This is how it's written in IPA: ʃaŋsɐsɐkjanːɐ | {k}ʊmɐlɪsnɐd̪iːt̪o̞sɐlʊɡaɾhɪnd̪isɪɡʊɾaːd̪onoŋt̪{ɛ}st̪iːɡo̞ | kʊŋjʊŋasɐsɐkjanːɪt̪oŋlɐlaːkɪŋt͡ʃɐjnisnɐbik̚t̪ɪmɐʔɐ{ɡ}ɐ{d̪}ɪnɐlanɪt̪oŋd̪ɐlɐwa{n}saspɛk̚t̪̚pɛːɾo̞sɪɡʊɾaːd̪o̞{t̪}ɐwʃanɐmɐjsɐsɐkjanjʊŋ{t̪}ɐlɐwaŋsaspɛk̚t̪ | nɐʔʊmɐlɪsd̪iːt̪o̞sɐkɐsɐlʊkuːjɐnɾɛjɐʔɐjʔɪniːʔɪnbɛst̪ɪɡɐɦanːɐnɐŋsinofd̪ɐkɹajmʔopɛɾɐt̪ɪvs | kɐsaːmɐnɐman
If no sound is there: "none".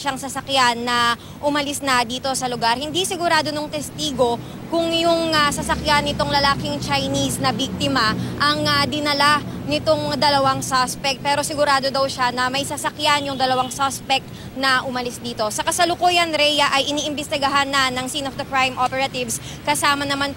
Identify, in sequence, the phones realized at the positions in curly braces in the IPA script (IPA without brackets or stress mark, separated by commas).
ʔ, ɛ, ŋ, d̪, ŋ, d̪, d̪